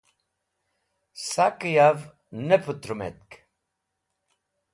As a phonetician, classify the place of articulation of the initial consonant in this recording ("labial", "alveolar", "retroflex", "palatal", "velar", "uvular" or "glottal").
alveolar